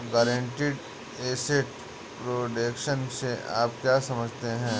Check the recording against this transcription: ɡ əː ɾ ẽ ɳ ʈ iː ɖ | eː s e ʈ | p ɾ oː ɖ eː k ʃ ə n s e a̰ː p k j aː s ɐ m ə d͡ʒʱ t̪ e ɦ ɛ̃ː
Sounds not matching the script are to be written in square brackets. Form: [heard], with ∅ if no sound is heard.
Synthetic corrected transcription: ɡ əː ɾ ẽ ɳ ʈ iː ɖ | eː s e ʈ | p ɾ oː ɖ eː k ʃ ə n s e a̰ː p k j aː s ɐ m ə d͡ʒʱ t̪ e ɦ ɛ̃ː